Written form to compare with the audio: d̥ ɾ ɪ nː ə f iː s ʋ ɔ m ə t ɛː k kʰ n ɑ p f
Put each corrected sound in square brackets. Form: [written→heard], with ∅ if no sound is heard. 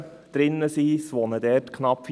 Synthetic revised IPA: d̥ ɾ ɪ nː ə [f→s] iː s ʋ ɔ [m→n] ə [t→d] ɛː [k→t] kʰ n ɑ p f